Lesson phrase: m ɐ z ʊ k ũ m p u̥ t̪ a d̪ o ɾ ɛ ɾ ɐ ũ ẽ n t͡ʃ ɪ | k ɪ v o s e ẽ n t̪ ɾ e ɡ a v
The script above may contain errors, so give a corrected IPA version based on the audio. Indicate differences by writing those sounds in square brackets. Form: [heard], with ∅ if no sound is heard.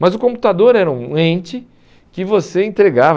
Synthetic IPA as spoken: m ɐ z ʊ k [õ] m p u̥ t̪ a d̪ o ɾ ɛ ɾ ɐ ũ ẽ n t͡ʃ ɪ | k ɪ v o s e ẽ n t̪ ɾ e ɡ a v